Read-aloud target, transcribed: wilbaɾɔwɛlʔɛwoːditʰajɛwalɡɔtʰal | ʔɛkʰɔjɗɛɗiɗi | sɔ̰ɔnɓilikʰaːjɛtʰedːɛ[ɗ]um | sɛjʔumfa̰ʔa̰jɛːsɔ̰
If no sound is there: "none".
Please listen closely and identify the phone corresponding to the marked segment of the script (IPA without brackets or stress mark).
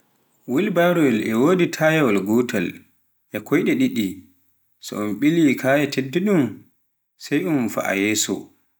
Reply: ɗ